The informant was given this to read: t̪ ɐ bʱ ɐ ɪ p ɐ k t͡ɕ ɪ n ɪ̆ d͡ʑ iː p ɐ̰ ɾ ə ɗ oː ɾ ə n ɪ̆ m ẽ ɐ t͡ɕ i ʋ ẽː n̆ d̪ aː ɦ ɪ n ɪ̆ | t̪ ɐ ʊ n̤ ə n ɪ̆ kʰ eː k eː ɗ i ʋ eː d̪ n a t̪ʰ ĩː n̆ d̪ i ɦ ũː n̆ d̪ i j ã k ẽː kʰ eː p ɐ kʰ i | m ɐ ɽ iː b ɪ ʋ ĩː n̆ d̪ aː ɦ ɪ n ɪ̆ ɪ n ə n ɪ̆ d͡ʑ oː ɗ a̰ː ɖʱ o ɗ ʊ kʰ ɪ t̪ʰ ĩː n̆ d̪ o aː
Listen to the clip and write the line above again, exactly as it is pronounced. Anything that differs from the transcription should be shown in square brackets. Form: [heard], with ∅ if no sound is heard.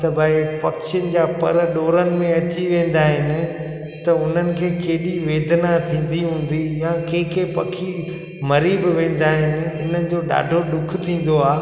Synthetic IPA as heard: t̪ ɐ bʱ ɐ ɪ p ɐ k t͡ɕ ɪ n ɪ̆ d͡ʑ [aː] p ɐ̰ ɾ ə ɗ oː ɾ ə n ɪ̆ m ẽ ɐ t͡ɕ i ʋ ẽː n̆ d̪ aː ɦ ɪ n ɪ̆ | t̪ ɐ ʊ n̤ ə n ɪ̆ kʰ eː k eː ɗ i ʋ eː d̪ n a t̪ʰ ĩː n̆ d̪ i ɦ ũː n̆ d̪ i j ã k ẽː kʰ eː p ɐ kʰ i | m ɐ [ɾ] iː b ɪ ʋ [ẽː] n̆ d̪ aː ɦ ɪ n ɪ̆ ɪ n ə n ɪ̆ d͡ʑ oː ɗ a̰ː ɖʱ o ɗ ʊ kʰ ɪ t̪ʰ ĩː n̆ d̪ o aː